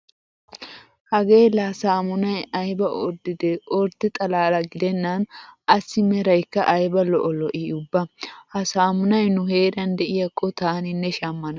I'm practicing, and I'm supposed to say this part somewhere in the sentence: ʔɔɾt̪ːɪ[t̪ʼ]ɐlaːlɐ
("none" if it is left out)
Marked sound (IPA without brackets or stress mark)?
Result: t̪ʼ